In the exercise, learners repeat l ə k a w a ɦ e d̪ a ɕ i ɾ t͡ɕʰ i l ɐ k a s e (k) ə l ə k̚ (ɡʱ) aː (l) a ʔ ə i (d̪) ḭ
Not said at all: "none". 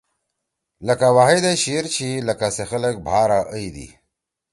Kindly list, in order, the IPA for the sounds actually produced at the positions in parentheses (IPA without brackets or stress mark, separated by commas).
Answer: x, bʱ, ɾ, d̪